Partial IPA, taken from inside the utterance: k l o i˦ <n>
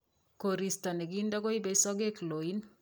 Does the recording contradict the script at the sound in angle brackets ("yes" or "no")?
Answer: no